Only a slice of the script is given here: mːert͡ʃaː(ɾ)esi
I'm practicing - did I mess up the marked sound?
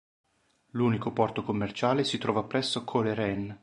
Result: yes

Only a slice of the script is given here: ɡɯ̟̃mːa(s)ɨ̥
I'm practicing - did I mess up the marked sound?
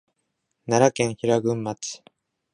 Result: yes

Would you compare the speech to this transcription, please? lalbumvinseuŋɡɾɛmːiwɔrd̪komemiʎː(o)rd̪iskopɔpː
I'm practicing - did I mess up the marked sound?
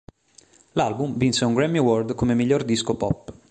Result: no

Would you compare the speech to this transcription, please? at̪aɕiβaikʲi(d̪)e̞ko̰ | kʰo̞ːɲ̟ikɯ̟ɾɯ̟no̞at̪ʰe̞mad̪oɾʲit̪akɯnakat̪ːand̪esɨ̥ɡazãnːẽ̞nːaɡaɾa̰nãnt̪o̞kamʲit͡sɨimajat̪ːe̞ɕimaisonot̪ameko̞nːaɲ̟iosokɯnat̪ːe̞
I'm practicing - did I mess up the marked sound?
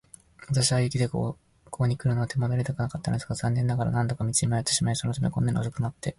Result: no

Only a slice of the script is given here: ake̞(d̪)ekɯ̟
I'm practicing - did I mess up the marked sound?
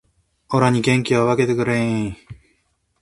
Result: yes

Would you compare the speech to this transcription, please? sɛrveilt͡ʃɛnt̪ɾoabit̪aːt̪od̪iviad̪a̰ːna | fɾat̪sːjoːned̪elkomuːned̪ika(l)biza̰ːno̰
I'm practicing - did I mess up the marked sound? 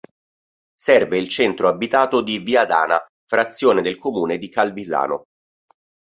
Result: no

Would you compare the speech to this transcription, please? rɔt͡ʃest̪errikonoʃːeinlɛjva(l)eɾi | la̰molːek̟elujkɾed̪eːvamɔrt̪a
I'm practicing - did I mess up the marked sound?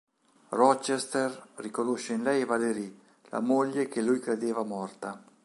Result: no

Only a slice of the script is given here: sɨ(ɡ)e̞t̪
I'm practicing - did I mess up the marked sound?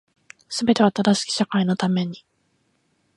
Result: yes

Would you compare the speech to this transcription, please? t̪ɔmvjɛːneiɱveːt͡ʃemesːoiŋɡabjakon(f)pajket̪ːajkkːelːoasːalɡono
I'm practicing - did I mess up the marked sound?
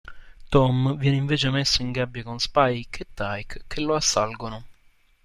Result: yes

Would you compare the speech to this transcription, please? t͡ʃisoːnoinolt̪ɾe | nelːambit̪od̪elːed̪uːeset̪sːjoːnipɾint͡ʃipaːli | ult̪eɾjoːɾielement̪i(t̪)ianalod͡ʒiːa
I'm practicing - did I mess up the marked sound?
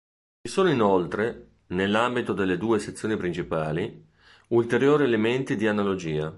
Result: yes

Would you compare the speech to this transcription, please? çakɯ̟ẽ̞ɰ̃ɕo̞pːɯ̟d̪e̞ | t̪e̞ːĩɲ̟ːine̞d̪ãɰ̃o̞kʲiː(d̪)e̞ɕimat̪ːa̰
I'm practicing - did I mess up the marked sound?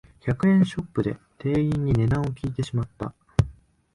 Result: yes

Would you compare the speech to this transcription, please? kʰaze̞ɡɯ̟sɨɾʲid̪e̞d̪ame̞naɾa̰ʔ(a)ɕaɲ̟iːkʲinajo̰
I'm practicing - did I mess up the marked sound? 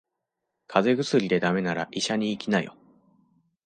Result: yes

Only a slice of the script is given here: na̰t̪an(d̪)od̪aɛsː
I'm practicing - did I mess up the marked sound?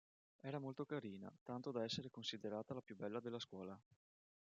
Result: yes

